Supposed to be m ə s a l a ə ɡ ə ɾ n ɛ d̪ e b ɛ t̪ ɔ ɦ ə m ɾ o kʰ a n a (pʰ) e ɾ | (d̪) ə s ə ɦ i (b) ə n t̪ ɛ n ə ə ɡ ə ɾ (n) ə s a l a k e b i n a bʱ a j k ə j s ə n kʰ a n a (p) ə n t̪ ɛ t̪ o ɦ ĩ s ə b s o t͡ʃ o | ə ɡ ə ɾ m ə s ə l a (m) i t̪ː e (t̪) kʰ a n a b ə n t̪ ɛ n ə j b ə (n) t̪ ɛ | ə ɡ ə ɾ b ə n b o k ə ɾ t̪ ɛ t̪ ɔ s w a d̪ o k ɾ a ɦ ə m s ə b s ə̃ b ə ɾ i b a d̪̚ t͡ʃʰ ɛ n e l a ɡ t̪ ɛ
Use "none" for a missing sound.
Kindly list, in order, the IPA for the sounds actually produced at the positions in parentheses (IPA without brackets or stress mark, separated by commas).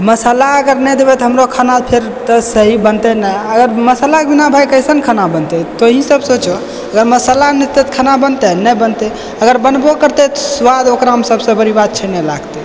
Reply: pʰ, t̪, b, m, b, n, t̪, n